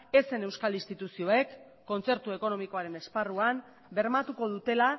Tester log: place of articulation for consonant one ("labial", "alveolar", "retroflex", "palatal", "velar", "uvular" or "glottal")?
alveolar